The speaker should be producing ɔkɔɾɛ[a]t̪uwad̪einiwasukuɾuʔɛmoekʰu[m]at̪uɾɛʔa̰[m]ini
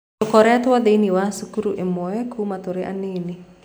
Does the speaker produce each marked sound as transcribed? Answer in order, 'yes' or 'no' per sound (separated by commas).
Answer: yes, yes, no